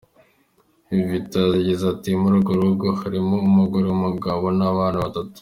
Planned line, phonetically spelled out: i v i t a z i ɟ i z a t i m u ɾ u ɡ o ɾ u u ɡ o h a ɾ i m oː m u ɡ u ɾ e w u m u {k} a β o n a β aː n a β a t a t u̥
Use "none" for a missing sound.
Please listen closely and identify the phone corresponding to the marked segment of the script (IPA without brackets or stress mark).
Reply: ɡ